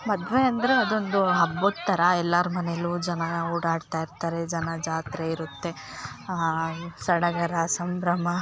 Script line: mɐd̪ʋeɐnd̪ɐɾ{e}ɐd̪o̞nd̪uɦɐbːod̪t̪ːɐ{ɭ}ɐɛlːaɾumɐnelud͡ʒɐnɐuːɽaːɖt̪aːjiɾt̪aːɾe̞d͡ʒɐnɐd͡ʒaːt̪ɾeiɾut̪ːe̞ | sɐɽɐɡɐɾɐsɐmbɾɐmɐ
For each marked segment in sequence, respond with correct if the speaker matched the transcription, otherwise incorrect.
correct, incorrect: ɾ

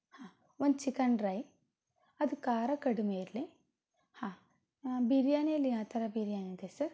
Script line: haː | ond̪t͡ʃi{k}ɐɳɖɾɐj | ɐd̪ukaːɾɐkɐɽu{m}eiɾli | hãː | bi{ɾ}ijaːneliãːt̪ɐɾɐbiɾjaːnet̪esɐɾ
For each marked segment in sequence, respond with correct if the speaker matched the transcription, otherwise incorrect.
correct, correct, correct

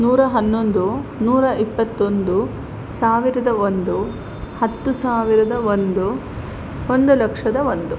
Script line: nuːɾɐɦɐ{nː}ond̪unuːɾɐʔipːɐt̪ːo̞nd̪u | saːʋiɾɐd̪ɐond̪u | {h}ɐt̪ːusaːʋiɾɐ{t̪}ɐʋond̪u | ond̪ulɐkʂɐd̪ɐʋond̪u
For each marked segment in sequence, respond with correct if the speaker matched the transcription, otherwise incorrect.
correct, correct, incorrect: d̪

